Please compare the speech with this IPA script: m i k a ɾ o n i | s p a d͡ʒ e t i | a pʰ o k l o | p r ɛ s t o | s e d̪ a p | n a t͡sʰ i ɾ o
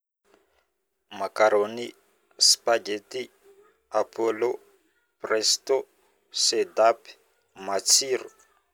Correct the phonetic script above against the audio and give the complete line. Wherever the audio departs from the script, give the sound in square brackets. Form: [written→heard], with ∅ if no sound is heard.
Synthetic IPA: m [i→a] k a ɾ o n i | s p a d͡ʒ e t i | a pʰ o [k→∅] l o | p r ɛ s t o | s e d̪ a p | [n→m] a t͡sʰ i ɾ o